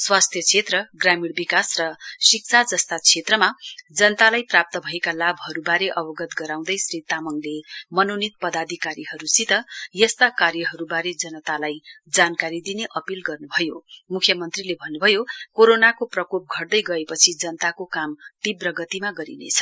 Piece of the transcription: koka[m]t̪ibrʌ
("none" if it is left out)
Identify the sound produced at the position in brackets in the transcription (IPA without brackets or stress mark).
m